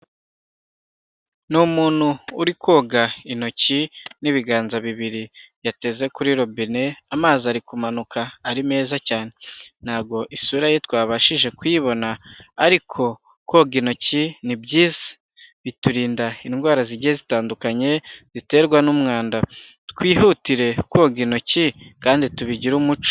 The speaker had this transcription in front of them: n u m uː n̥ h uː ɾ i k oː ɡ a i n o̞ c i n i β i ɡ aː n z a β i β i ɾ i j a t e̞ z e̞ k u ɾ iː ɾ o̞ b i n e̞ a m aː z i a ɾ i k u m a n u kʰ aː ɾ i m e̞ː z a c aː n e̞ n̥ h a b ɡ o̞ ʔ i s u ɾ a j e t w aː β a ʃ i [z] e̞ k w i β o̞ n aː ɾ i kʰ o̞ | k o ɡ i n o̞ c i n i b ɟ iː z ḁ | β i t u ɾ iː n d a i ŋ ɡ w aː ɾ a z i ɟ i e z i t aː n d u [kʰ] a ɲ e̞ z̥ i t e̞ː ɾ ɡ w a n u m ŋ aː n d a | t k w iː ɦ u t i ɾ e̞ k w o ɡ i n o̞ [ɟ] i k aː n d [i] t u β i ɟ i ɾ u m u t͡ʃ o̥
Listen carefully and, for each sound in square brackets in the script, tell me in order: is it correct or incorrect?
incorrect: ʒ, incorrect: k, incorrect: c, correct

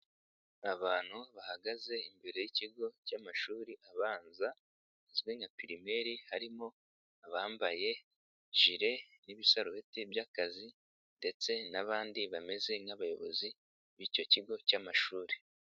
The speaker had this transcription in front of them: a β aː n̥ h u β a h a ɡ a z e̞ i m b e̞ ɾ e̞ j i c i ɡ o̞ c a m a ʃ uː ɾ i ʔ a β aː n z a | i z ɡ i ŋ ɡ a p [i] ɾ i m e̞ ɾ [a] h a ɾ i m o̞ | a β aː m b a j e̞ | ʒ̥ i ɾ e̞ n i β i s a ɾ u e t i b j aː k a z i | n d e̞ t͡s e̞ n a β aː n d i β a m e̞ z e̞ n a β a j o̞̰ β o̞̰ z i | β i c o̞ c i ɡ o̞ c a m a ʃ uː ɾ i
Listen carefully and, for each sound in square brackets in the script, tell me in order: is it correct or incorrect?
correct, incorrect: i

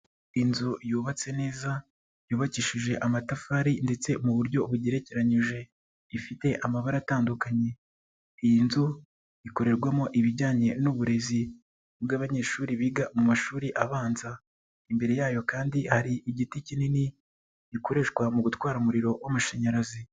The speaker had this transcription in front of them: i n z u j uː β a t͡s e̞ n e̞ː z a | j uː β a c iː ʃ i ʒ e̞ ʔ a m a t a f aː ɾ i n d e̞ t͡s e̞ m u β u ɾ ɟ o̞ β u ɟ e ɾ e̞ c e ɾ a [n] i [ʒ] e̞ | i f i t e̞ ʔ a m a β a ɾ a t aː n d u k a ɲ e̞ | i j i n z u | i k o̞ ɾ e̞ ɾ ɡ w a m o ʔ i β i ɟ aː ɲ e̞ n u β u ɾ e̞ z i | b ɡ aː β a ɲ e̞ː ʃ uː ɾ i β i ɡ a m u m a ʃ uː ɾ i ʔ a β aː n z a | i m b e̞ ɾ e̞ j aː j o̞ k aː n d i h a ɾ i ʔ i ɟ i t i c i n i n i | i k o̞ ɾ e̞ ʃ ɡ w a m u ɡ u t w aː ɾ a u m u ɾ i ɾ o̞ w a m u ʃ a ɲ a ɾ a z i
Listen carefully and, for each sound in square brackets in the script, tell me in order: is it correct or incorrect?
incorrect: ɲ, correct

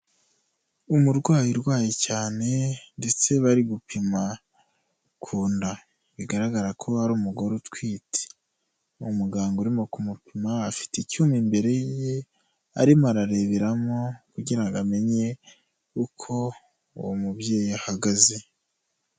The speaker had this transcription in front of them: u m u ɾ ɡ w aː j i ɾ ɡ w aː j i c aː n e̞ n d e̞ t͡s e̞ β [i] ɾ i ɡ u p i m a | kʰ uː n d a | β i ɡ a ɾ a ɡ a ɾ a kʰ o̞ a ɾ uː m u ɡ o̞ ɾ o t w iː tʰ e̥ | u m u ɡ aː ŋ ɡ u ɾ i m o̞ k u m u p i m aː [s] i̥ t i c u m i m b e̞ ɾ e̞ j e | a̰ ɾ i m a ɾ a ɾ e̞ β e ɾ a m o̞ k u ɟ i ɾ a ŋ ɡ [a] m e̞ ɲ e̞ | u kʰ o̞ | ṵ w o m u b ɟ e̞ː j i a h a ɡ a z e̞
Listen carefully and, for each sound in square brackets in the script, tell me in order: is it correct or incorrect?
incorrect: a, incorrect: f, correct

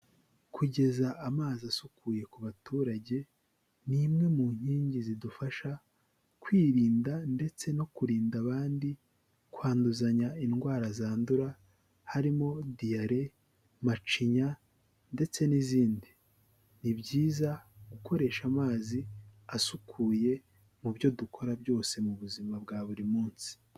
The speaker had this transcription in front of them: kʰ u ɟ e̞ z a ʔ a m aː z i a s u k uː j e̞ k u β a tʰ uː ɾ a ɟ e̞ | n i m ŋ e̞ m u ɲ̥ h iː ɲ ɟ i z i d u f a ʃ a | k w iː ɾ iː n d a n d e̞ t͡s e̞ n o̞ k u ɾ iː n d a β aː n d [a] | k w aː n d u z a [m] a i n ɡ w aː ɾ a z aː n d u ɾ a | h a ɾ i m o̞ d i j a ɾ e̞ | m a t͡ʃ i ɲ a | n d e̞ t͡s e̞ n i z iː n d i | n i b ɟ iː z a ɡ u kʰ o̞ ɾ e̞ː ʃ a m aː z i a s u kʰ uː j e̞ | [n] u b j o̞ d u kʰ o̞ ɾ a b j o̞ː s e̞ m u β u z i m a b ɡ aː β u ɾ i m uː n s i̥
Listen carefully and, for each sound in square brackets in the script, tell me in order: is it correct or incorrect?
incorrect: i, incorrect: ɲ, incorrect: m

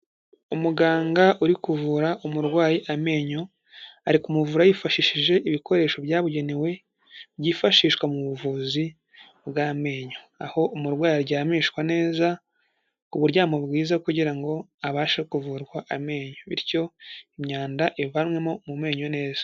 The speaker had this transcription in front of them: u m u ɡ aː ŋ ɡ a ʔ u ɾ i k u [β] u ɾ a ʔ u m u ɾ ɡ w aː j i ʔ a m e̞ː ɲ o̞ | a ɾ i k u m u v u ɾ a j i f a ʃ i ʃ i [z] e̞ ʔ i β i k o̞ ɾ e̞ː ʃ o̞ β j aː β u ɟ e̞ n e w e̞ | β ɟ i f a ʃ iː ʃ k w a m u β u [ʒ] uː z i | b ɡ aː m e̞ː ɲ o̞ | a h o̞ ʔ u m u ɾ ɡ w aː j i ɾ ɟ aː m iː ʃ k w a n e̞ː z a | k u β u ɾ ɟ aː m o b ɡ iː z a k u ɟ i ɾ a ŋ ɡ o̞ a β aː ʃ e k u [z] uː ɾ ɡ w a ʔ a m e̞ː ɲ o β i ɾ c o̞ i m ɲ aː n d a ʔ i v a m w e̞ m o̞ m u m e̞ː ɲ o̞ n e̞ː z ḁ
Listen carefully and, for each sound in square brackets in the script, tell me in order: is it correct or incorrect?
incorrect: v, incorrect: ʒ, incorrect: v, incorrect: v

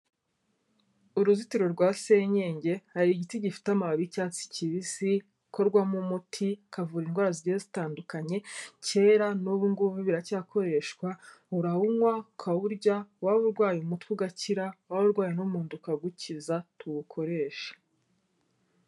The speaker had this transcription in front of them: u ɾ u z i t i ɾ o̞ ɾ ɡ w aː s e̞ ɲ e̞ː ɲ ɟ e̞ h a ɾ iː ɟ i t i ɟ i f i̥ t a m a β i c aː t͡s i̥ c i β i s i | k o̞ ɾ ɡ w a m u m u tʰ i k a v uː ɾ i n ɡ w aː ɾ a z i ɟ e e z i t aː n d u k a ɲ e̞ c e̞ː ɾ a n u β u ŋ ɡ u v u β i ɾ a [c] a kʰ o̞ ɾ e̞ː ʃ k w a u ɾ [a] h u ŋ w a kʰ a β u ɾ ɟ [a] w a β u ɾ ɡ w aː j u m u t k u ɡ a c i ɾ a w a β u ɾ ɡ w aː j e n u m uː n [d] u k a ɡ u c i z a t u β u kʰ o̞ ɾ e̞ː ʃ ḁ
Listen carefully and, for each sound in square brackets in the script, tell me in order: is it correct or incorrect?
correct, correct, correct, correct

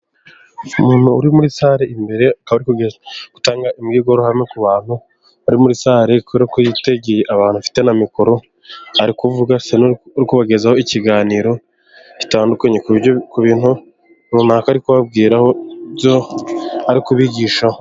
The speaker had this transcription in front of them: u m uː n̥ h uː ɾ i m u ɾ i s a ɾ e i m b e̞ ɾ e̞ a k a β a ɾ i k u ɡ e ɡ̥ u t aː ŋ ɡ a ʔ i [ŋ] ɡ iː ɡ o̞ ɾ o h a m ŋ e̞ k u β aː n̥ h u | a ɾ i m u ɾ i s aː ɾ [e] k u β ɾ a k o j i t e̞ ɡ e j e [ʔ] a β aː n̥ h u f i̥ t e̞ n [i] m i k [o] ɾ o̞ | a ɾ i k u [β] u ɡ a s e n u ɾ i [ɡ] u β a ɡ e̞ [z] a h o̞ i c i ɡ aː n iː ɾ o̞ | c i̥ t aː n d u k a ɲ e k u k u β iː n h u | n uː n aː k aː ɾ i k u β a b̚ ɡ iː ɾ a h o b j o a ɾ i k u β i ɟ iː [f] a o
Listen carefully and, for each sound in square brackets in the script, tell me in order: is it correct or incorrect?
incorrect: m, correct, correct, incorrect: a, correct, incorrect: v, incorrect: k, correct, incorrect: ʃ

